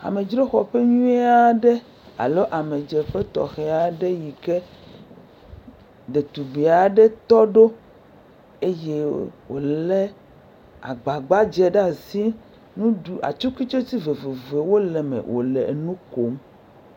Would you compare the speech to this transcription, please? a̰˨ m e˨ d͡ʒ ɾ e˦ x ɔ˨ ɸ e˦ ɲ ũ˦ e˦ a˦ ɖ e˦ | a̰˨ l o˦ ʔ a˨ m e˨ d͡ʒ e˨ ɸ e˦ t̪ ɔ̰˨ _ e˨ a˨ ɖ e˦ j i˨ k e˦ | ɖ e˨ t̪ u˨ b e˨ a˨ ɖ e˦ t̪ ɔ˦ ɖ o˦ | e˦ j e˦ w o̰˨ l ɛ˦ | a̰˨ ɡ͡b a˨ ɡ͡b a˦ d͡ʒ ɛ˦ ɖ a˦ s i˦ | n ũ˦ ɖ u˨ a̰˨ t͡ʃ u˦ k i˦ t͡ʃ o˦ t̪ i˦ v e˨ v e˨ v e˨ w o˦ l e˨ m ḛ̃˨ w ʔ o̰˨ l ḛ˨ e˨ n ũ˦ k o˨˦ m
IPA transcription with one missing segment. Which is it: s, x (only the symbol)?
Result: x